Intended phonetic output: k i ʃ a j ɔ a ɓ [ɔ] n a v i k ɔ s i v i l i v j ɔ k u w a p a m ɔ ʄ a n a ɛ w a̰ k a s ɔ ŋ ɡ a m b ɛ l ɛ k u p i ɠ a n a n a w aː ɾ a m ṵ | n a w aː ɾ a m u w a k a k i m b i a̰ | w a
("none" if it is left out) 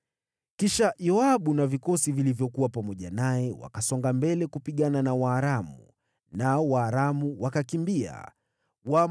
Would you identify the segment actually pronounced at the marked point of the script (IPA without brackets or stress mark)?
u